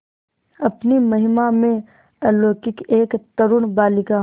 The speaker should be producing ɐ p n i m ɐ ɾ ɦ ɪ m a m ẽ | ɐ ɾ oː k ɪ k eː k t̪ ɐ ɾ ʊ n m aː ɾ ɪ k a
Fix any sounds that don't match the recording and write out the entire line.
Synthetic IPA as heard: ɐ p n i m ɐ ɦ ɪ m a m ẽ | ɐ l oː k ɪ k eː k t̪ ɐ ɾ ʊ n b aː l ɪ k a